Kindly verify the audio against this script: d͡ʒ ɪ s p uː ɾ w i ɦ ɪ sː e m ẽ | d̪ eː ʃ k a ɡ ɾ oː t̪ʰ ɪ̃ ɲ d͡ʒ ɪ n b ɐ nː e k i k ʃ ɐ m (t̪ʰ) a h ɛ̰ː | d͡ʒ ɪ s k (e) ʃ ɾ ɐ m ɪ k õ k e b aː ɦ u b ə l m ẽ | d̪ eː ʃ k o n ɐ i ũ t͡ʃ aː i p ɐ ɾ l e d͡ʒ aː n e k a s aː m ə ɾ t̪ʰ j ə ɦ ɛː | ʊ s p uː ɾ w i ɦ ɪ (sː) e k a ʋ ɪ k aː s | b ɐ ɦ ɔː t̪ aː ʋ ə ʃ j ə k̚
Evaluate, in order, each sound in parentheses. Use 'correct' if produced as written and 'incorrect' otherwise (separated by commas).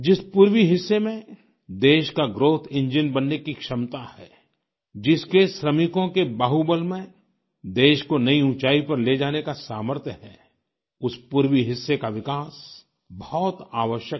incorrect, correct, correct